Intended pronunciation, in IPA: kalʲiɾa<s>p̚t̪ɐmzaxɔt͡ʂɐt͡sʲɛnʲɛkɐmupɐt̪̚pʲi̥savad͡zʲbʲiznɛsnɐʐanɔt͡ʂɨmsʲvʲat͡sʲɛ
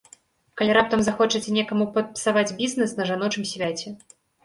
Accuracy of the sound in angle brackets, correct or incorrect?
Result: incorrect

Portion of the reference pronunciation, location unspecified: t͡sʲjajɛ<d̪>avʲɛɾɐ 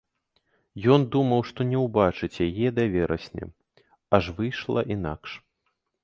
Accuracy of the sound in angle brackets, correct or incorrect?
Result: correct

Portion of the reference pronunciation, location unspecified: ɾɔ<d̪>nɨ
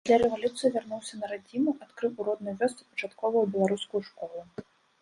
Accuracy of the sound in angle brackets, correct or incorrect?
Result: correct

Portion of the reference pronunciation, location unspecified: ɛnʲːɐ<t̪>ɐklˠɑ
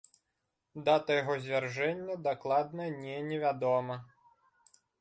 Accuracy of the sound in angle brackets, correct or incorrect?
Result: incorrect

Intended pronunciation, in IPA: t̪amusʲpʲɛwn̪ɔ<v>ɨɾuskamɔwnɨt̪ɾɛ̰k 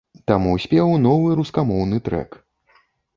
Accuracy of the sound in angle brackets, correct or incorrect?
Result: correct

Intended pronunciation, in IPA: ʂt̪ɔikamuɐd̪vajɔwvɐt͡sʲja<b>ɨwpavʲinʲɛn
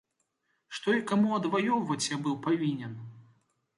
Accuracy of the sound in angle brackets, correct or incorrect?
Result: correct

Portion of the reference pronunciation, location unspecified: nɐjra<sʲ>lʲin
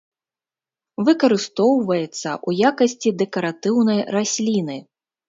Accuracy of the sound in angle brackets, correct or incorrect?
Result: correct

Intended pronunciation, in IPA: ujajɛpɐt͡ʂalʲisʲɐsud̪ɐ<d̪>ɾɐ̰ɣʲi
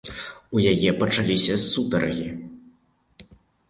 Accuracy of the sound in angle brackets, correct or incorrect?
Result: incorrect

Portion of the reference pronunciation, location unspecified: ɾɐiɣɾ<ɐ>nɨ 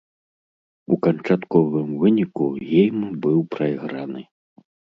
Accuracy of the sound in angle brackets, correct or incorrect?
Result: incorrect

